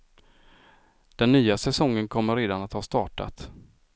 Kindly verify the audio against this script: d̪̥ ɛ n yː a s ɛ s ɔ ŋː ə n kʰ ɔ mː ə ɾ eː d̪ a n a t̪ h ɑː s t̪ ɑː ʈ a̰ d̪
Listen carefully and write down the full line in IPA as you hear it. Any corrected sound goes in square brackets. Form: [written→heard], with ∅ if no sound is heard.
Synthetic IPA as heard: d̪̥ ɛ [n→nː] yː a s ɛ s ɔ ŋː ə n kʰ ɔ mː ə ɾ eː d̪ a n a t̪ h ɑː s t̪ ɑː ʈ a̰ [d̪→t̪]

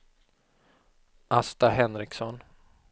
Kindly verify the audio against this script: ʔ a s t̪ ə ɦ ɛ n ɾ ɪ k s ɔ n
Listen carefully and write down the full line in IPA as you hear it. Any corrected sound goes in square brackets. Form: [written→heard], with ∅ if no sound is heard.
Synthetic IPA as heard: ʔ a s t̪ [ə→a] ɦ ɛ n ɾ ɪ k s ɔ n

